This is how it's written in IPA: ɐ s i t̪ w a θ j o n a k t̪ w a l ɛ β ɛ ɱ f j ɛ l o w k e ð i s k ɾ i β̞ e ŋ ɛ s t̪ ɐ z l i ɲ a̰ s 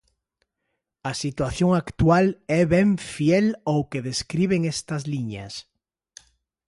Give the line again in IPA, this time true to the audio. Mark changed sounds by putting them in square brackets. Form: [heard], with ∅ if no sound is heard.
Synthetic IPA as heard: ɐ s i t̪ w a θ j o [ŋ] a k t̪ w a l ɛ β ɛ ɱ f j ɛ l o w k e ð [e] s k ɾ i β̞ e ŋ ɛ s t̪ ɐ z l i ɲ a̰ s